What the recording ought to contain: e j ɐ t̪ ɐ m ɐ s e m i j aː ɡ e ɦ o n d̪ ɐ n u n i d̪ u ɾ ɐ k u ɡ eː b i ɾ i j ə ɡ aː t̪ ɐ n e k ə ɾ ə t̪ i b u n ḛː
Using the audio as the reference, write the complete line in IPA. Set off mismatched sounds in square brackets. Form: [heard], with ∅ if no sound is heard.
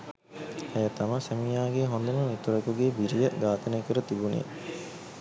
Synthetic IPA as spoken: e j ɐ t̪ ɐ m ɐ s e m i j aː ɡ e ɦ o n d̪ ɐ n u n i [t̪] u ɾ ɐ k u ɡ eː b i ɾ i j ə ɡ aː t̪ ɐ n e k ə ɾ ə t̪ i b u n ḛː